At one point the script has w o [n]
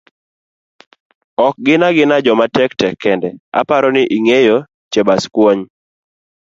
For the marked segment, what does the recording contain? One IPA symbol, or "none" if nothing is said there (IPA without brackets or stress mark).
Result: ɲ